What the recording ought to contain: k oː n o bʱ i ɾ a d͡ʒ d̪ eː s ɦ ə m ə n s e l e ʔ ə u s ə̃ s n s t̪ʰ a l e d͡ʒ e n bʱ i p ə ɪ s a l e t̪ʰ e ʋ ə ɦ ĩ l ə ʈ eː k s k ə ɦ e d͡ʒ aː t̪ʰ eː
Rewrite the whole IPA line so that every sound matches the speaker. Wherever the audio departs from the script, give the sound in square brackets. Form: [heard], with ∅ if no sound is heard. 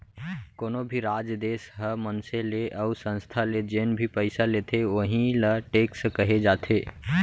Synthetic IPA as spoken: k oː n o bʱ i ɾ a d͡ʒ d̪ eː s ɦ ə m ə n s e l e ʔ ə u s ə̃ [∅] n s t̪ʰ a l e d͡ʒ e n bʱ i p ə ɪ s a l e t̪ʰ e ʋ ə ɦ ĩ l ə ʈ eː k s k ə ɦ e d͡ʒ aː t̪ʰ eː